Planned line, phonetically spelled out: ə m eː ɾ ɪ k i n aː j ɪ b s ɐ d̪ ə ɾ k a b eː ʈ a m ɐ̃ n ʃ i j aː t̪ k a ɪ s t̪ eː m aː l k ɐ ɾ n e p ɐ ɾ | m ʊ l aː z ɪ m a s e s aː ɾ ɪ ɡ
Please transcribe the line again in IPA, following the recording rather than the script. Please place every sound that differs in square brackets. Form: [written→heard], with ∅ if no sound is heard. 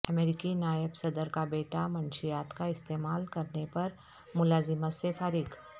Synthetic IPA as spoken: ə m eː ɾ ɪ k i n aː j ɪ b s ɐ d̪ ə ɾ k a b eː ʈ a m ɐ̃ n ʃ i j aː t̪ k a ɪ s t̪ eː m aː l k ɐ ɾ n e p ɐ ɾ | m ʊ l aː z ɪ m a s e [s→f] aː ɾ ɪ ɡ